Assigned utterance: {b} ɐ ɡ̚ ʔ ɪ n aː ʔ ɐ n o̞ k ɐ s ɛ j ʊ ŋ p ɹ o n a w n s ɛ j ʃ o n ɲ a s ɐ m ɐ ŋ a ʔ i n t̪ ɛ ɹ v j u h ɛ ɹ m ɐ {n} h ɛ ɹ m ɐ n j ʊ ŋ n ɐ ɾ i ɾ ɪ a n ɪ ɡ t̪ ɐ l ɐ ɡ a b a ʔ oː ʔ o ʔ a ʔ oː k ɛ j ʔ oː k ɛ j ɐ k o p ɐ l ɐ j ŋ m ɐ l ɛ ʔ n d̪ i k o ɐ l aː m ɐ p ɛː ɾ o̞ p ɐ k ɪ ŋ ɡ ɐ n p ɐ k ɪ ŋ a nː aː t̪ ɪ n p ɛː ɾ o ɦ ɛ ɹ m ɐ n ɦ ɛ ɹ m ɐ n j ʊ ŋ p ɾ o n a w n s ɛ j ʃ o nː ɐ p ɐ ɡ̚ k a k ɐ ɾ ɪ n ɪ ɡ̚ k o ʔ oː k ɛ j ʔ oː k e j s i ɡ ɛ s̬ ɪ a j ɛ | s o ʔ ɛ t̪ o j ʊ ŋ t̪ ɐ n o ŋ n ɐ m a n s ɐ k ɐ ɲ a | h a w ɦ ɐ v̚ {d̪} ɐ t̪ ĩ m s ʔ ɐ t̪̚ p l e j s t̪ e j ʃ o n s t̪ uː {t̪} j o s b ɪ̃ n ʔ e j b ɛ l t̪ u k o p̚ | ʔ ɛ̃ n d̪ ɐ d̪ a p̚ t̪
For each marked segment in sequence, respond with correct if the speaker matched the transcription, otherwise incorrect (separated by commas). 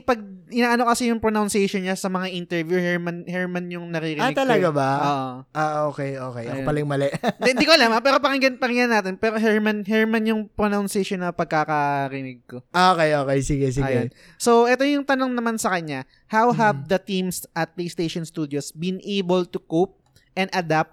incorrect, correct, correct, incorrect